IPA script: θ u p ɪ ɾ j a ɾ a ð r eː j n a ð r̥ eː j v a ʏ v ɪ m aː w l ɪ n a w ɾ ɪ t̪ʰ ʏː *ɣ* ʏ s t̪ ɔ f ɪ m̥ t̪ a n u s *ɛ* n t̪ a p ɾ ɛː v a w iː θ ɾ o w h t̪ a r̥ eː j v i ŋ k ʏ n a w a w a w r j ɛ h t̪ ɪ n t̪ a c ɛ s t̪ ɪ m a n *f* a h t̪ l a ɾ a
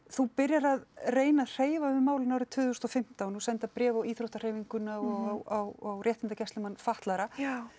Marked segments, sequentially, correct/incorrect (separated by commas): incorrect, correct, correct